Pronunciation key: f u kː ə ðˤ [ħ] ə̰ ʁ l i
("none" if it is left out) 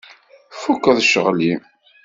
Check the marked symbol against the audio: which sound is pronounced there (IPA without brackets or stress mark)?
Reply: ʃ